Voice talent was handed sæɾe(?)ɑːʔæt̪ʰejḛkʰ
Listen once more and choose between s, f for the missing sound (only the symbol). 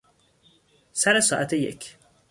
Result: s